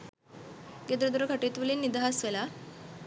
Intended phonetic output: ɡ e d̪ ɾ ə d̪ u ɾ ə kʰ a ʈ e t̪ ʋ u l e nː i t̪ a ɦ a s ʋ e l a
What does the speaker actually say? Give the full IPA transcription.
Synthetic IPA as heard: ɡ e d̪ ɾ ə d̪ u ɾ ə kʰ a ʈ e t̪ ʋ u l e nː i d̪ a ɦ a s ʋ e l a